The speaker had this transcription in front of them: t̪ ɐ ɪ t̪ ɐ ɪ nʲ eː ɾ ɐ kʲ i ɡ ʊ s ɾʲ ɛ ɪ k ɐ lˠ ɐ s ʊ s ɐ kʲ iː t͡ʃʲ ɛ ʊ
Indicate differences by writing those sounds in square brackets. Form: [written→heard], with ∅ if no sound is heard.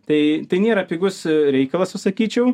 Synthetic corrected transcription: t̪ ɐ ɪ t̪ ɐ ɪ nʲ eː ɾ ɐ [kʲ→pʲ] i ɡ ʊ s ɾʲ ɛ ɪ k ɐ lˠ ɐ s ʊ s ɐ kʲ iː t͡ʃʲ ɛ ʊ